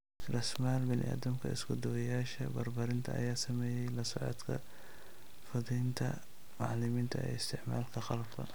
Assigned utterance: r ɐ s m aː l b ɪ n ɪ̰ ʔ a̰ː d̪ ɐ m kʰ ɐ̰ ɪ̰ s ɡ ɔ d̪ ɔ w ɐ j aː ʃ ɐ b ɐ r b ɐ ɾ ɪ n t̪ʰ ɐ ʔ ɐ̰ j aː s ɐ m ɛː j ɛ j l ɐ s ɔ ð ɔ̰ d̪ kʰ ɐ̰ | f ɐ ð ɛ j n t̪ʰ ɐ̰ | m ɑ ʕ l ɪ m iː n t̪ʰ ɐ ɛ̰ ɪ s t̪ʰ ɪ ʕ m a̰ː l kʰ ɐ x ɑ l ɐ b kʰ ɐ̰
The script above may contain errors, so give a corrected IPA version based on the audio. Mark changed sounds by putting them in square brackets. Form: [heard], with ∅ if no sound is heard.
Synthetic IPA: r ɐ s m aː l b ɪ n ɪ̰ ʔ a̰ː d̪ ɐ m kʰ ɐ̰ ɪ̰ s ɡ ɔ d̪ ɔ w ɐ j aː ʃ ɐ b ɐ r b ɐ ɾ ɪ n t̪ʰ ɐ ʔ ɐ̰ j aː s ɐ m ɛː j ɛ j l ɐ s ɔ [ʕ] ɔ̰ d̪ kʰ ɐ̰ | f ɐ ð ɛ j n t̪ʰ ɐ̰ | m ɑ ʕ l ɪ m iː n t̪ʰ ɐ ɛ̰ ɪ s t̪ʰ ɪ ʕ m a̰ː l kʰ ɐ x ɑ l ɐ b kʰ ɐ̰